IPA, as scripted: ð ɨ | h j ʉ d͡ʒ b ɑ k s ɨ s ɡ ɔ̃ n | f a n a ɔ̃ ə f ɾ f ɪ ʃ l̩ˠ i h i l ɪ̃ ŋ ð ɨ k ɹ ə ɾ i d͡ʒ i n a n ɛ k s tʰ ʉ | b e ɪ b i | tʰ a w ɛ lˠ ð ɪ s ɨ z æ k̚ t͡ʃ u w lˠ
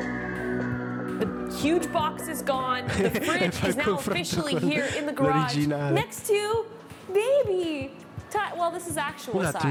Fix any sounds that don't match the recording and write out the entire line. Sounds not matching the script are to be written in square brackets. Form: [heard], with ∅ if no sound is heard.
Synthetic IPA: ð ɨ | h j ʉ d͡ʒ b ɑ k s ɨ [z] ɡ ɔ̃ n | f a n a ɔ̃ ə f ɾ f ɪ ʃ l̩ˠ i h i [ɹ] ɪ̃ [n] ð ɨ [ɡ] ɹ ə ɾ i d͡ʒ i n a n ɛ k s tʰ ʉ | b e ɪ b i | tʰ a w ɛ lˠ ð ɪ s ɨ z æ k̚ t͡ʃ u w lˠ